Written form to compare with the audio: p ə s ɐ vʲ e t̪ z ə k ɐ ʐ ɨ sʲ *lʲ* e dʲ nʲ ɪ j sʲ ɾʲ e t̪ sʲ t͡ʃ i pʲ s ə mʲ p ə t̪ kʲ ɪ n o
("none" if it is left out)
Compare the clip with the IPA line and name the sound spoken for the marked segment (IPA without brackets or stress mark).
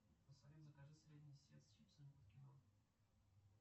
ɾʲ